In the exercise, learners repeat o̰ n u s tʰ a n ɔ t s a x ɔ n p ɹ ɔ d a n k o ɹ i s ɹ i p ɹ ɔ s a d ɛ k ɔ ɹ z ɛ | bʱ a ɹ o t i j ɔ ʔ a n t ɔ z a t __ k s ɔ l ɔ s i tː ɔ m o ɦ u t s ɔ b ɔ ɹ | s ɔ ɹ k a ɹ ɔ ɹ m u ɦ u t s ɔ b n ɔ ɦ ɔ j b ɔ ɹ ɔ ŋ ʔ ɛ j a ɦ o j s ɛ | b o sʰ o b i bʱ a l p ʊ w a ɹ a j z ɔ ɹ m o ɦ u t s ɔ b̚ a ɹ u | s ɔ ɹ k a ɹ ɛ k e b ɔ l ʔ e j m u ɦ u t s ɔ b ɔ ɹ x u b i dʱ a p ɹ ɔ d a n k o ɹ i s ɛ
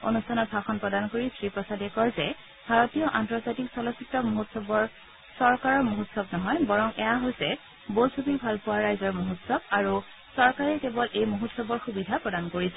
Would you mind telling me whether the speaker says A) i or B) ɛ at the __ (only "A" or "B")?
A